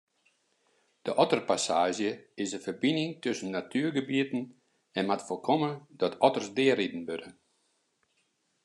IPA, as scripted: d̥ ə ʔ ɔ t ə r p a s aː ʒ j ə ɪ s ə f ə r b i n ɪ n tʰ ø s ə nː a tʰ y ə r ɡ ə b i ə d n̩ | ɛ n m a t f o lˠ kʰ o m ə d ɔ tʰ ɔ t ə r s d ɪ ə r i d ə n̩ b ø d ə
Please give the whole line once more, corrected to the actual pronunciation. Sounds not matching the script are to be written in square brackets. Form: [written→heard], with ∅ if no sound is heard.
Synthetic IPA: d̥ ə ʔ ɔ t ə r p a s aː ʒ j ə ɪ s ə f ə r b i n ɪ [n→ŋ] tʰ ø s ə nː a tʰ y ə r ɡ ə b i ə [d→t] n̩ | ɛ n m a t f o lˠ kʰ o m ə d ɔ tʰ ɔ t ə r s d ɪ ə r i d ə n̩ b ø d ə